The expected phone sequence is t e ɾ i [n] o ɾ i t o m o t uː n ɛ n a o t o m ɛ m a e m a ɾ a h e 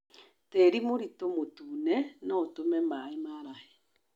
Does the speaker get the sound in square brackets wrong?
yes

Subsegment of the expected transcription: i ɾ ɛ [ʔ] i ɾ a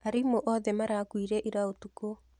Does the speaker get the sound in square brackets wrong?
no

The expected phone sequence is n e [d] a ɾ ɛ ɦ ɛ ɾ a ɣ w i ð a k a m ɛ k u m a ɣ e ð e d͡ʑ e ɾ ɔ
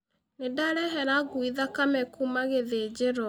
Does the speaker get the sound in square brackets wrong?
no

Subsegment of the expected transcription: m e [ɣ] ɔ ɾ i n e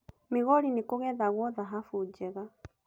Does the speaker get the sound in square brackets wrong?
no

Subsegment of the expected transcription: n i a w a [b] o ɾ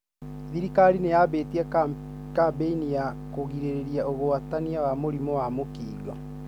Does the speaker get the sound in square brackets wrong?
yes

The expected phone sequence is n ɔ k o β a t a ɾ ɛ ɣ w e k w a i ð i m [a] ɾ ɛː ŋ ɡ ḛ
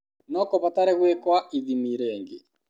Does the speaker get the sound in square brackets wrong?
yes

